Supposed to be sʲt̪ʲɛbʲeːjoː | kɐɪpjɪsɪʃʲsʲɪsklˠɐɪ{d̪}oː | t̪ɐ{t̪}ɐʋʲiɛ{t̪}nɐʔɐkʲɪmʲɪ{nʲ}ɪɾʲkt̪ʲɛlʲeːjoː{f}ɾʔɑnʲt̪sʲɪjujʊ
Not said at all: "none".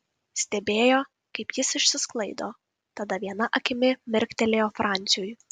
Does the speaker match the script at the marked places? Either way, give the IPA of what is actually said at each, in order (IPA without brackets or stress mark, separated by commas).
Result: d̪, d̪, none, mʲ, f